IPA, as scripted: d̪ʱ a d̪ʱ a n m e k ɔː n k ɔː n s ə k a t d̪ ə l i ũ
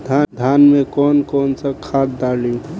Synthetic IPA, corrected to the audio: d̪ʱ a d̪ʱ a n m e k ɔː n k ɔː n s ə kʰ a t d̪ a l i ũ